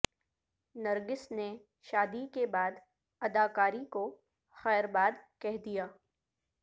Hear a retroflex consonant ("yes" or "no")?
no